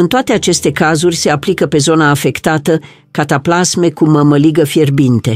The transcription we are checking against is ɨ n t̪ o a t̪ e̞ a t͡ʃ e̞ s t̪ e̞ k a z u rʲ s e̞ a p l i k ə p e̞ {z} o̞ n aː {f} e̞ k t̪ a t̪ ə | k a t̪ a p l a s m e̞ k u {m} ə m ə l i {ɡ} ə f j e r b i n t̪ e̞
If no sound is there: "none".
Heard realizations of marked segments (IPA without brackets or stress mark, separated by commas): z, f, m, ɡ